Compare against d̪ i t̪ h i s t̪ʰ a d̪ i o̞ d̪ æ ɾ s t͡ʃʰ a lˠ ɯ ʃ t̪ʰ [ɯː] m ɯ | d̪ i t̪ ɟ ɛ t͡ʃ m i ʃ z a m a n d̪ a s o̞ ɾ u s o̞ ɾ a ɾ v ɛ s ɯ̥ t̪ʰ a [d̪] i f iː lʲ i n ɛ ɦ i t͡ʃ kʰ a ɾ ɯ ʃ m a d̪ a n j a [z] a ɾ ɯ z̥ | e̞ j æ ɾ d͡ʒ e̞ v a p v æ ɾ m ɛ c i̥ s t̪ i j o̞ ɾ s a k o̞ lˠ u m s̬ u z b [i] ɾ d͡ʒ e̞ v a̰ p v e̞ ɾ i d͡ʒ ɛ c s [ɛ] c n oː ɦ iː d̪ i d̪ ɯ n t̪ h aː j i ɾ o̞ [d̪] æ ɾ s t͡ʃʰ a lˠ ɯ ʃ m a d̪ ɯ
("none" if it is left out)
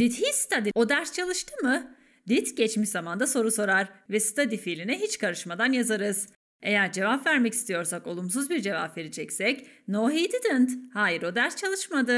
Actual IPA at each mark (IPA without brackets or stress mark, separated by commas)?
ɯ, d̪, z, i, ɛ, d̪